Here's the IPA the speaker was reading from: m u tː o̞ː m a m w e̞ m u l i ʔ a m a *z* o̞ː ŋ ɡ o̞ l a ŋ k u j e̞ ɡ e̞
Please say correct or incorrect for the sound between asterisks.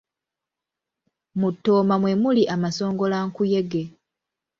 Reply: incorrect